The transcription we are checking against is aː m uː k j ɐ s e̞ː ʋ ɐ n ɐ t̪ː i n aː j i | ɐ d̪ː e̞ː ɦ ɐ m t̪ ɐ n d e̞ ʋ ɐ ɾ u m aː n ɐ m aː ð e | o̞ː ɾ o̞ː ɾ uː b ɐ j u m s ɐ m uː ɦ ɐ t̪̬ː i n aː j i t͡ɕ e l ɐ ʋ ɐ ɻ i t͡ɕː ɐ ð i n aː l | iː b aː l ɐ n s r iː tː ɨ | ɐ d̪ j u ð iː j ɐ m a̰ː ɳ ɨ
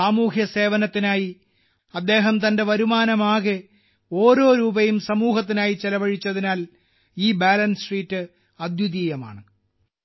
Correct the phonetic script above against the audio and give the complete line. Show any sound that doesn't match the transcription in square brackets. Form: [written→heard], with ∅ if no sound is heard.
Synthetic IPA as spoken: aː m uː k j ɐ s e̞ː ʋ ɐ n ɐ t̪ː i n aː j i | ɐ d̪ː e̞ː ɦ ɐ m t̪ ɐ n d e̞ ʋ ɐ ɾ u m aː n ɐ m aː [ð→ɣ] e | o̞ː ɾ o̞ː ɾ uː b ɐ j u m s ɐ m uː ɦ ɐ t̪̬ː i n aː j i t͡ɕ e l ɐ ʋ ɐ ɻ i t͡ɕː ɐ ð i n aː l | iː b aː l ɐ n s r iː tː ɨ | ɐ d̪ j u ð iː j ɐ m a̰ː ɳ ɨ